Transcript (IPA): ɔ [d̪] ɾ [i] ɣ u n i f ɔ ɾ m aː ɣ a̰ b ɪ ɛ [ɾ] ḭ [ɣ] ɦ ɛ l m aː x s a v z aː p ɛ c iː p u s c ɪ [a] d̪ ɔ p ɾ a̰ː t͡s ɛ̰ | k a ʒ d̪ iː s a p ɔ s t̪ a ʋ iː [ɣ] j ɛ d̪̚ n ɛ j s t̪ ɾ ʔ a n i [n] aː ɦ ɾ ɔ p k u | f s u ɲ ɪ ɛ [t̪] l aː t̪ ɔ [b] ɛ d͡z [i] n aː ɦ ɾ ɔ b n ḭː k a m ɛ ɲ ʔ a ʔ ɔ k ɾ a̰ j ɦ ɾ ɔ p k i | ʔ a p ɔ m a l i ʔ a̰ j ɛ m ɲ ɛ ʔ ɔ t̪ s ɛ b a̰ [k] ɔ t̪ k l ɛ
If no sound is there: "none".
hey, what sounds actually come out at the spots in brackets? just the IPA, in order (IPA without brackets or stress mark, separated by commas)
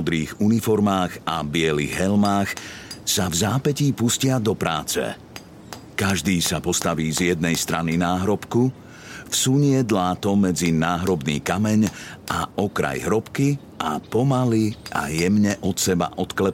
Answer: d̪, iː, l, ɣ, a, z, n, d̪, m, i, ʔ